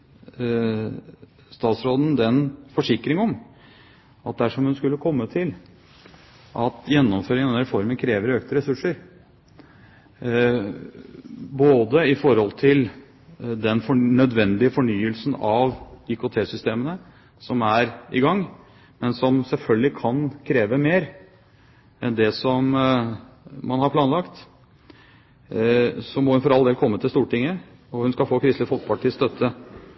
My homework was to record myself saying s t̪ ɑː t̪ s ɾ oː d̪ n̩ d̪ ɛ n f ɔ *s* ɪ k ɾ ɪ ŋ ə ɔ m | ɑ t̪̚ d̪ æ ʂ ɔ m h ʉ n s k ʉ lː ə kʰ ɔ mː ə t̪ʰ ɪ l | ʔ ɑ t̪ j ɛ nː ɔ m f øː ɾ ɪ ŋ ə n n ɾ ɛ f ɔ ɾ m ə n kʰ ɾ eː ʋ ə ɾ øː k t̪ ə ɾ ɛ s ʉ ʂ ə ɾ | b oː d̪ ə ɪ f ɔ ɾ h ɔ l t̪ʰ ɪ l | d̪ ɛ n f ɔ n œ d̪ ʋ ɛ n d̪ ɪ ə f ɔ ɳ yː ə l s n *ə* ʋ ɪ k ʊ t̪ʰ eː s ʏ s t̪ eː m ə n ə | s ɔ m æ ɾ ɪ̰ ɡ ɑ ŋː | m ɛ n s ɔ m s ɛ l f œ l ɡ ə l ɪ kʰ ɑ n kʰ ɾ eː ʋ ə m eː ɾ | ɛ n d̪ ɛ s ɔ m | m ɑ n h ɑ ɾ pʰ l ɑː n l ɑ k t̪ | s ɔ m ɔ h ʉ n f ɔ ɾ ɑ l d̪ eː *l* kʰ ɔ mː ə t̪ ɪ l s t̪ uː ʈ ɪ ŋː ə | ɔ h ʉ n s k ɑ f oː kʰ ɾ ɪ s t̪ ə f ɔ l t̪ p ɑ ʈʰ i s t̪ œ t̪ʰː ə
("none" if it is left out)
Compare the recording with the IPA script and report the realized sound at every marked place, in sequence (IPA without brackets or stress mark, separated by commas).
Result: ʂ, ɑ, l